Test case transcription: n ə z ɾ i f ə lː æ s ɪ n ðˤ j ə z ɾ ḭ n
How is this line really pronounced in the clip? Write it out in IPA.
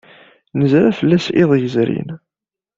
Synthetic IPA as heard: n ə z ɾ æ f ə lː æ s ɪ ðˤ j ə z ɾ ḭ n